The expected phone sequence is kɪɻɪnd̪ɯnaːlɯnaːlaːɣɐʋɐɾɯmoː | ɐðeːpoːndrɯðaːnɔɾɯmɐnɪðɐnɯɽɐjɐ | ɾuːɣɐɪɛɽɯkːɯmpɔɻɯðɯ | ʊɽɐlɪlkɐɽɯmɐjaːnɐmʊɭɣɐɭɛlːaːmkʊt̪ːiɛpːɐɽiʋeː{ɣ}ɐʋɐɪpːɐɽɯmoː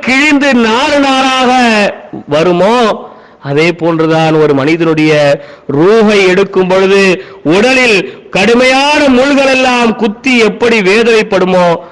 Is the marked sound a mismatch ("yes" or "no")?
yes